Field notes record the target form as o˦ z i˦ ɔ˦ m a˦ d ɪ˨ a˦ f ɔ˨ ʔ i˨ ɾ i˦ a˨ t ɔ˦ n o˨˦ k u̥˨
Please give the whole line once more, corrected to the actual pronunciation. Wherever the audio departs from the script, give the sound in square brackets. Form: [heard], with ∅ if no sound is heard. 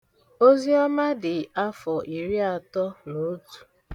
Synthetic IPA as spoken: o˦ z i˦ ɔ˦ m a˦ d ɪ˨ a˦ f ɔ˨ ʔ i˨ ɾ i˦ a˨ t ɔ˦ n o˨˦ [t] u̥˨